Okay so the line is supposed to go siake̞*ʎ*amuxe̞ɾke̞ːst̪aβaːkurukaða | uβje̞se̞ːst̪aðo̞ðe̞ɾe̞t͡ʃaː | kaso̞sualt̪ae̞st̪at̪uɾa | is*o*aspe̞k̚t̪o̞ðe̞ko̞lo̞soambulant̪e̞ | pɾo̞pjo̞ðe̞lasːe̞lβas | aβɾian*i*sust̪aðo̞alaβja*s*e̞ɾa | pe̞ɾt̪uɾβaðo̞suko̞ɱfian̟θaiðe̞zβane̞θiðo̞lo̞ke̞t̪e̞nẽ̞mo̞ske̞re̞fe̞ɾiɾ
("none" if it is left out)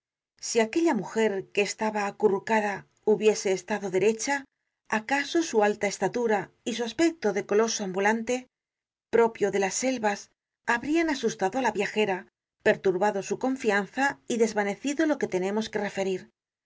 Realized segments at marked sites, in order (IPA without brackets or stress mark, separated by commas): ʎ, u, a, x